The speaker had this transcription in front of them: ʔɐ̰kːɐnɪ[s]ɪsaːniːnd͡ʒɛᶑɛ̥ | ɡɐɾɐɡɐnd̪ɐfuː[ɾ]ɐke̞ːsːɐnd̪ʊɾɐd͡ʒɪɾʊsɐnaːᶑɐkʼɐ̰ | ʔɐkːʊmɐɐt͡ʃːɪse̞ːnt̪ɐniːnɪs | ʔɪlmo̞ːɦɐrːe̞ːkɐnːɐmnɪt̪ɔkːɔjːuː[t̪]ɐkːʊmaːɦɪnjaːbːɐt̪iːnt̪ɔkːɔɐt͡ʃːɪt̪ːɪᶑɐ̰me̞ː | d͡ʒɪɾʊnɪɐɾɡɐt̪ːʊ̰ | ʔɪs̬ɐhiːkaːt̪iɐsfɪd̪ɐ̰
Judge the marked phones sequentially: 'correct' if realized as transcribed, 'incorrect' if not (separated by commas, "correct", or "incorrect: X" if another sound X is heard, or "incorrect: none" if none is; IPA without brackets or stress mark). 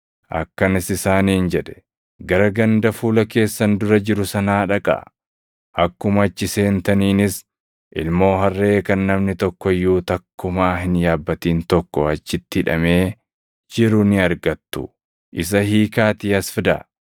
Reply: correct, incorrect: l, correct